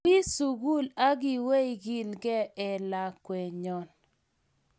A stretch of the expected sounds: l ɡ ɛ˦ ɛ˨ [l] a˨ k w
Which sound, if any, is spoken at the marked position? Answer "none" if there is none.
l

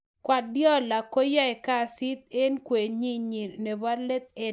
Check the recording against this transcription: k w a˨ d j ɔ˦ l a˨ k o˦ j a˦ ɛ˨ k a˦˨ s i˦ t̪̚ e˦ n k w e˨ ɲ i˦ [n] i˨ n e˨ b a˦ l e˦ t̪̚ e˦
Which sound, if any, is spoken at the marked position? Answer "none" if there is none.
ɲ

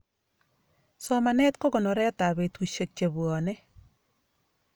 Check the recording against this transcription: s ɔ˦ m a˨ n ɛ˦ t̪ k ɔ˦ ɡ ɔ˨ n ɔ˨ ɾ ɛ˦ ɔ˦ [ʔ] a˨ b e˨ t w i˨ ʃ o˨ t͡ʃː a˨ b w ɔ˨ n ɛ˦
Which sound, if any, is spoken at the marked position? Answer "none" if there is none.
t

